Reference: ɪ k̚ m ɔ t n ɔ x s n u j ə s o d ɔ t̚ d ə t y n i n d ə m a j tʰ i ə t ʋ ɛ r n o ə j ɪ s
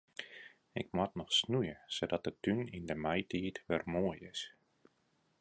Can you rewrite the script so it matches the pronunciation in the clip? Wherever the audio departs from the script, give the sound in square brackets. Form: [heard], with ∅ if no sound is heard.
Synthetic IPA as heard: ɪ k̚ m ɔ t n ɔ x s n u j ə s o d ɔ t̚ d ə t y n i n d ə m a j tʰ i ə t ʋ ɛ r [m] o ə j ɪ s

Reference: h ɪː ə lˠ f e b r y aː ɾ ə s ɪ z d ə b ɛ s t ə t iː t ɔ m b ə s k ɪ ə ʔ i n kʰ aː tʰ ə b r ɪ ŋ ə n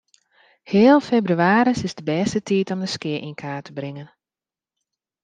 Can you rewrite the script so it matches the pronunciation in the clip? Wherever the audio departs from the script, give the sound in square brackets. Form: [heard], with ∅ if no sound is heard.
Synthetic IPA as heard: h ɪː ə lˠ f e b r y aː ɾ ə s ɪ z d ə b ɛ s t ə t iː t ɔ m [d] ə s k ɪ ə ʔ i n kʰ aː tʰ ə b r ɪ ŋ ə n

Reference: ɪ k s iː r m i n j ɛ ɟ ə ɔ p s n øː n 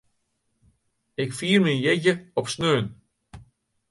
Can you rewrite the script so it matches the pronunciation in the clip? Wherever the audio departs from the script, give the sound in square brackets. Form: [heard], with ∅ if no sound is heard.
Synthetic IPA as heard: ɪ k [f] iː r m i n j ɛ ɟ ə ɔ p s n øː n

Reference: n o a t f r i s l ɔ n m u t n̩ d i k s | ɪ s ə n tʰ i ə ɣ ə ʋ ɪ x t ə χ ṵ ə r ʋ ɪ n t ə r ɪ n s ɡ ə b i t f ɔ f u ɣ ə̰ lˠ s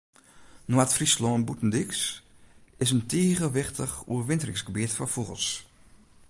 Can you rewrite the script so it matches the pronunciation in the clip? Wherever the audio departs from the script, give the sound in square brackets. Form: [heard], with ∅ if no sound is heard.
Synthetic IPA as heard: n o a t f r i s l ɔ n [b] u t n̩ d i k s | ɪ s ə n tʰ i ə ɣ ə ʋ ɪ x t ə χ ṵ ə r ʋ ɪ n t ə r ɪ [ŋ] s ɡ ə b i t f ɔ f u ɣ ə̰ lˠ s

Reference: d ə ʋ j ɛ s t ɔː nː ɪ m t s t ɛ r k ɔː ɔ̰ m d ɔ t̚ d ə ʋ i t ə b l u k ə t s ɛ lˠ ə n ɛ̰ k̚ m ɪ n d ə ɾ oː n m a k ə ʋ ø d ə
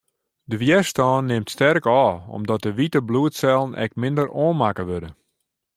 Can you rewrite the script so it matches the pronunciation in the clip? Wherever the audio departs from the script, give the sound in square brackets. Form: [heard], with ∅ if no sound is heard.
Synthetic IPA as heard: d ə ʋ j ɛ s t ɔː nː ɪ m t s t ɛ r k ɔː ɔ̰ m d ɔ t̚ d ə ʋ i t ə b l u [∅] ə t s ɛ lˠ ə n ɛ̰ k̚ m ɪ n d ə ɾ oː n m a k ə ʋ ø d ə

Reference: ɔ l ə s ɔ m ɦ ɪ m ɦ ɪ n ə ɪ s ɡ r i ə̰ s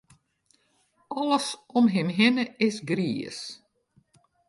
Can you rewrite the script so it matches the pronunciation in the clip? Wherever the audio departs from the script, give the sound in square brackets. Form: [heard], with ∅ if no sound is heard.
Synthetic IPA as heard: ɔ l ə s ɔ m ɦ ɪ m ɦ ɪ n ə ɪ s ɡ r i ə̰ s

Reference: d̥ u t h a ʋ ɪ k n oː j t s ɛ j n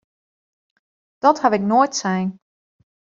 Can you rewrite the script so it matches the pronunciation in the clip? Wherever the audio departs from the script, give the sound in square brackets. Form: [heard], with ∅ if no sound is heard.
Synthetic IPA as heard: d̥ [ɔ] t h a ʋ ɪ k n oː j t s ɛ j n

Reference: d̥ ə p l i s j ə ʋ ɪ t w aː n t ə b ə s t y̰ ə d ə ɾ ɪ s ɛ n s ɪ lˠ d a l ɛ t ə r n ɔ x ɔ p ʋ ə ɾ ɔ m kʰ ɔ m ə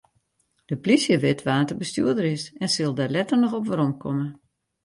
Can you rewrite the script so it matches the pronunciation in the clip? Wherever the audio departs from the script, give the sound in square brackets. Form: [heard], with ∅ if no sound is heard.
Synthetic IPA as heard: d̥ ə p l i s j ə ʋ ɪ t [ʋ] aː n t ə b ə s t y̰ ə d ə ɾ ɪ s ɛ n s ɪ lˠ d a l ɛ t ə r n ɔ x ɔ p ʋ ə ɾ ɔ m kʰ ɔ m ə

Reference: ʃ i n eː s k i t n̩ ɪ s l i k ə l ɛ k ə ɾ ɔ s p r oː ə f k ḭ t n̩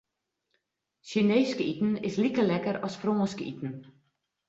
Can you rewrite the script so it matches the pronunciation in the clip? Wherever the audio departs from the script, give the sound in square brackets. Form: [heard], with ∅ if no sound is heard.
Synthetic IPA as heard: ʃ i n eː s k i t n̩ ɪ s l i k ə l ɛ k ə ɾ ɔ s p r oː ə [s] k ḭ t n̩

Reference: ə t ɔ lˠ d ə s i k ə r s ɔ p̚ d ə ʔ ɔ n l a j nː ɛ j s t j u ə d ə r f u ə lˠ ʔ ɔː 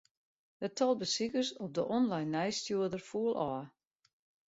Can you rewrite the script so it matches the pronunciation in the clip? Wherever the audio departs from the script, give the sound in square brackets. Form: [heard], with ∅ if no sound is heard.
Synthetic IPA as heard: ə t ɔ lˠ [b] ə s i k ə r s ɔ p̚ d ə ʔ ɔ n l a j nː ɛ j s t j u ə d ə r f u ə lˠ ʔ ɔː

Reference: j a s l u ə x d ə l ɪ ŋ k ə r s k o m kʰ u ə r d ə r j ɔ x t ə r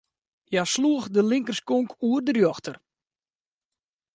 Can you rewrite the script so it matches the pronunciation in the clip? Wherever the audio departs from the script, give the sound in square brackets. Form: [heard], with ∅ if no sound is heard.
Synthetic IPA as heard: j a s l u ə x d ə l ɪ ŋ k ə r s k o [ŋ] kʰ u ə r d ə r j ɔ x t ə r

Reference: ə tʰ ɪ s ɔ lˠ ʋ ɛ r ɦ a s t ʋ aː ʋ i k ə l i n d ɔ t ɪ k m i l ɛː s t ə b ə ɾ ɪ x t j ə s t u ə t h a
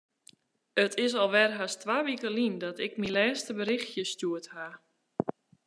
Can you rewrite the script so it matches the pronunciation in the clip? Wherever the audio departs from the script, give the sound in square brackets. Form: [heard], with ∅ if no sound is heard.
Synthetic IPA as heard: ə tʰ ɪ s ɔ lˠ ʋ ɛ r ɦ a s t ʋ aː ʋ i k ə l i n d ɔ t ɪ k m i l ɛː s t ə b ə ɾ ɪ x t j ə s t u ə t h a

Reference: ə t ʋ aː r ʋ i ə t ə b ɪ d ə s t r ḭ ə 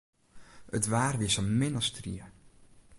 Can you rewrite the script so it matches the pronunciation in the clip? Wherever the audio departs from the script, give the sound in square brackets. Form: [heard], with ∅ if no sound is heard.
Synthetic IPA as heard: ə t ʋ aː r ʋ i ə [s] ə [m] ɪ [n] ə s t r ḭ ə

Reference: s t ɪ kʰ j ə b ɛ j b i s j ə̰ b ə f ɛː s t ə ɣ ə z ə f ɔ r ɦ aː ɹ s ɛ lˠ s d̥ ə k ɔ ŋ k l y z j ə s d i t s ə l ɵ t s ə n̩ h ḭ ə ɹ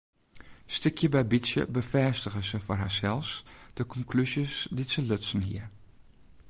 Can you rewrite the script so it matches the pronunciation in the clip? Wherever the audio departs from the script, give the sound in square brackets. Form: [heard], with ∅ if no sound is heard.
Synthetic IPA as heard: s t ɪ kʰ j ə b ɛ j b i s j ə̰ b ə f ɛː s t ə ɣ ə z ə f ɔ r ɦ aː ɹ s ɛ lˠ s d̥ ə k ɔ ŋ k l y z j ə s d i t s ə l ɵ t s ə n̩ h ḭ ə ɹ

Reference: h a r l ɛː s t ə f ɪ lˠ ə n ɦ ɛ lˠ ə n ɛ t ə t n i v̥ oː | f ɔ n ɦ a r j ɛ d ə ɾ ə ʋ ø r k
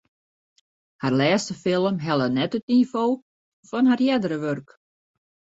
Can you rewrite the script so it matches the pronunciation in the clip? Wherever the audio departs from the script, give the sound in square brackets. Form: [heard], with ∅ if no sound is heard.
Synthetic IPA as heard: h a r l ɛː s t ə f ɪ lˠ ə [m] ɦ ɛ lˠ ə n ɛ t ə t n i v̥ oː | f ɔ n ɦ a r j ɛ d ə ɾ ə ʋ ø r k

